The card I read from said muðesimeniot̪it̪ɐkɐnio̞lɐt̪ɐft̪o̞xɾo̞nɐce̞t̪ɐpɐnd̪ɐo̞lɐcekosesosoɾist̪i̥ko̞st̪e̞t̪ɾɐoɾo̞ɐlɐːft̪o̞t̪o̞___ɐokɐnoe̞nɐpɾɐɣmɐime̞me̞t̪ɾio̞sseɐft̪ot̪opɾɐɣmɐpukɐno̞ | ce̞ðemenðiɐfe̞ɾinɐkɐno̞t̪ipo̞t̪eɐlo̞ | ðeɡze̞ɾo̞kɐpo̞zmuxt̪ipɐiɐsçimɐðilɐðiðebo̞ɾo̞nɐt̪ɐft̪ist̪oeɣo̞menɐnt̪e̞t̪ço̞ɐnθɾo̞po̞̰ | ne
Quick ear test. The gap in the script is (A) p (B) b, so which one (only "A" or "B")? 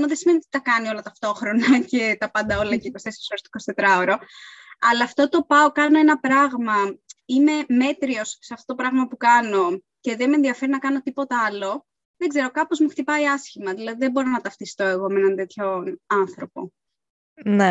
A